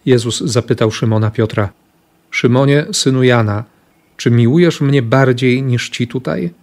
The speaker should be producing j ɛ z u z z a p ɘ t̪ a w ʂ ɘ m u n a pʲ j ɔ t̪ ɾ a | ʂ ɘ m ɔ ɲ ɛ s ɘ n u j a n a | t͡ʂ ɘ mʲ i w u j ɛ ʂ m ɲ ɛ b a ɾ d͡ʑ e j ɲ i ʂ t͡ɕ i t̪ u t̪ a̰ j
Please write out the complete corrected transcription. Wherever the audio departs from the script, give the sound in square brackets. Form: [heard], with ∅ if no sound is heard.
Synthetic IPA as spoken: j ɛ z u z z a p ɘ t̪ a w ʂ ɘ m [ɔ] n a pʲ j ɔ t̪ ɾ a | ʂ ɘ m ɔ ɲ ɛ s ɘ n u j a n a | t͡ʂ ɘ mʲ i w u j ɛ ʂ m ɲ ɛ b a ɾ d͡ʑ e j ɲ i ʂ t͡ɕ i t̪ u t̪ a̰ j